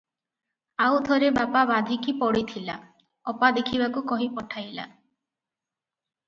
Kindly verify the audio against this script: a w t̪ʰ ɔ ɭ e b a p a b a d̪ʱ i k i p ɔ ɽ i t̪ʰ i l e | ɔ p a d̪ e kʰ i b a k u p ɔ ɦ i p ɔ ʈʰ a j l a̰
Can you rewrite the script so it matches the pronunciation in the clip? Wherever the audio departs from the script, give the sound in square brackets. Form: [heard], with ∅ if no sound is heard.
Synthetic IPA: a w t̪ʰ ɔ [ɾ] e b a p a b a d̪ʱ i k i p ɔ ɽ i t̪ʰ i l [a] | ɔ p a d̪ e kʰ i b a k u [k] ɔ ɦ i p ɔ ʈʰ a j l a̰

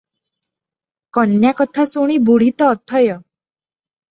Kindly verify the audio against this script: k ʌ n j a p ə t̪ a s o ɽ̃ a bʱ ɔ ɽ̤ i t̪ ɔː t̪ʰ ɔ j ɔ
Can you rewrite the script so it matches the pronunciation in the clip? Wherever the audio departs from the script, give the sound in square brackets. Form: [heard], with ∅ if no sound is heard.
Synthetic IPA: k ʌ n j a [k] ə [t̪ʰ] a s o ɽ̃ [i] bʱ [u] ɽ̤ i t̪ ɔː t̪ʰ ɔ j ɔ

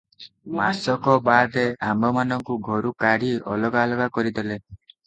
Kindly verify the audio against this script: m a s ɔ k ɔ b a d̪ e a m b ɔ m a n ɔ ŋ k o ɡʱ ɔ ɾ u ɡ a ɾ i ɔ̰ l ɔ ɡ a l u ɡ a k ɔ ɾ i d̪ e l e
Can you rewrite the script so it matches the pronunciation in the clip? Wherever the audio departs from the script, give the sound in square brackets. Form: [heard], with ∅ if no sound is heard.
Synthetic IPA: m a s ɔ k ɔ b a d̪ e a m b ɔ m a n ɔ ŋ k [u] ɡʱ ɔ ɾ u [k] a [ɽ] i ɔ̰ l ɔ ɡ a l [ɔ] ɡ a k ɔ ɾ i d̪ e l e

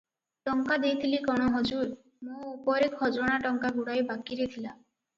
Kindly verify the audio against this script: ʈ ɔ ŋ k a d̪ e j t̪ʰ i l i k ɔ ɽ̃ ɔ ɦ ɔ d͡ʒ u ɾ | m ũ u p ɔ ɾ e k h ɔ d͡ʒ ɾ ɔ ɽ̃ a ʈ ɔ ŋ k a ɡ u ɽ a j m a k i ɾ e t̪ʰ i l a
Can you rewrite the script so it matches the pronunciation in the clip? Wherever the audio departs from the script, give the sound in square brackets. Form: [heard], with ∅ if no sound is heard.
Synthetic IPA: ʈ ɔ ŋ k a d̪ e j t̪ʰ i l i k ɔ ɽ̃ ɔ ɦ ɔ d͡ʒ u ɾ | m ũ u p ɔ ɾ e k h ɔ d͡ʒ ɾ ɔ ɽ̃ a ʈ ɔ ŋ k a ɡ u ɽ a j [b] a k i ɾ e t̪ʰ i l a

